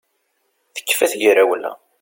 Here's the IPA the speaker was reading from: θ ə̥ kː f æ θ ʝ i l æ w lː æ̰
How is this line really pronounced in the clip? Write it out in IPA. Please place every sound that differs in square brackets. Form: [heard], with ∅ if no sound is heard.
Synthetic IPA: θ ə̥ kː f æ θ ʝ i [ɾ] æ w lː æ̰